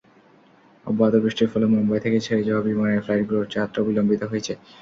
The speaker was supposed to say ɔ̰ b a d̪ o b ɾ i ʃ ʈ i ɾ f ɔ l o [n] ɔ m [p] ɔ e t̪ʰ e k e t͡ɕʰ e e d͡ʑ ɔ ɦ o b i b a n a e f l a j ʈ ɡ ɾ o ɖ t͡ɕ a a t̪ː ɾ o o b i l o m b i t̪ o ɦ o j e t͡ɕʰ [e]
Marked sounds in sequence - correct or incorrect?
incorrect: m, incorrect: b, correct

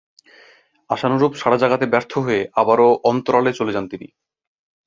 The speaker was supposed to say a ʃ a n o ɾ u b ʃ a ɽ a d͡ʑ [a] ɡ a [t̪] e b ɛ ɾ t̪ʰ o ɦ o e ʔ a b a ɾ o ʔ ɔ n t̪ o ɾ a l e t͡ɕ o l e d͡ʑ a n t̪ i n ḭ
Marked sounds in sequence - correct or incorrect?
correct, correct

